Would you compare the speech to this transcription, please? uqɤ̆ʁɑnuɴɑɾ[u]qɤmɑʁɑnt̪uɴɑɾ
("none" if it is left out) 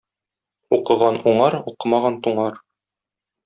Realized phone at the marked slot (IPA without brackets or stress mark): u